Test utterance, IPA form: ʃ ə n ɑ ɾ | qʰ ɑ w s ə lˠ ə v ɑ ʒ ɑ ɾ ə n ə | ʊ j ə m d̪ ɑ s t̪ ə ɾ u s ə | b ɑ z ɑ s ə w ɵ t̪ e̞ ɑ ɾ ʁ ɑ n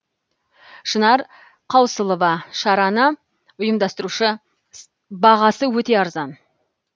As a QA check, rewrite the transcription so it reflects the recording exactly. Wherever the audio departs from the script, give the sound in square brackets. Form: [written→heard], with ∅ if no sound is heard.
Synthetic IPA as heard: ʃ ə n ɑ ɾ | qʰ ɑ w s ə lˠ ə v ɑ [ʒ→ʃ] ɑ ɾ [ə→ɑ] n ə | ʊ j ə m d̪ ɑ s t̪ ə ɾ u [s→ʃ] ə | b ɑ [z→ʁ] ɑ s ə w ɵ t̪ e̞ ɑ ɾ [ʁ→z] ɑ n